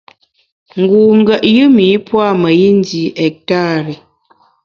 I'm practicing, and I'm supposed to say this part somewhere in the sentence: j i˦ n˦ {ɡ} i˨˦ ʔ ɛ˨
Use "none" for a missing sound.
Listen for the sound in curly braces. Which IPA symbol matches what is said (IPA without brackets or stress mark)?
d